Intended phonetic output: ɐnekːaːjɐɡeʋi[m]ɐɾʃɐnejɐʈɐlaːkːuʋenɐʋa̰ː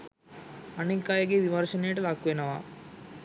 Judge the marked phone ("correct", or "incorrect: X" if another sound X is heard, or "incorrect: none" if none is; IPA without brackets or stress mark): correct